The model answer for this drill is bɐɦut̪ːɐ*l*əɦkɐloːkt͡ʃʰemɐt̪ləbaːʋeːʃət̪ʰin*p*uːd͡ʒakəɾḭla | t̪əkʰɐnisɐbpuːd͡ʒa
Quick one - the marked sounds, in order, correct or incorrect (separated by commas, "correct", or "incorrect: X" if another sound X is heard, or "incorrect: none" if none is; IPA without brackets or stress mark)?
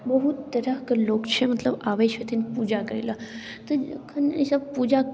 incorrect: ɾ, correct